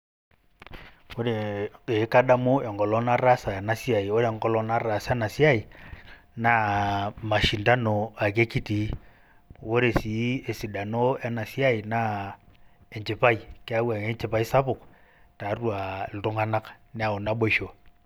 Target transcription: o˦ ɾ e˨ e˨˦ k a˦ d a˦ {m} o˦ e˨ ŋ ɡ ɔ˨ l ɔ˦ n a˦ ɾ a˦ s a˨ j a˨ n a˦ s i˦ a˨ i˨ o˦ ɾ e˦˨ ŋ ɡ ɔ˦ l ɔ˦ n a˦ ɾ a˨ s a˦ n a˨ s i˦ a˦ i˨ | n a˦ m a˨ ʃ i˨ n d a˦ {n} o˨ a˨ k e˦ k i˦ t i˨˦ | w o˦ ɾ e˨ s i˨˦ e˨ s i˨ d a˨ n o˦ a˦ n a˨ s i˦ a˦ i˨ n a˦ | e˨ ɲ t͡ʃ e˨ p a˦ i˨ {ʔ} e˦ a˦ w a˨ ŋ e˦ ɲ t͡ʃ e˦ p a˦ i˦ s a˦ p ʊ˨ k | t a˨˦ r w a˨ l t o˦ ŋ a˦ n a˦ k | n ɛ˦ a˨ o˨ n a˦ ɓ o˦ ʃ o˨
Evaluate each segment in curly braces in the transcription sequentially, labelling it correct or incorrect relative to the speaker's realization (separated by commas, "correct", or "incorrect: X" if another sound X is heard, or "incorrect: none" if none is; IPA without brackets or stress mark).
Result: correct, correct, incorrect: k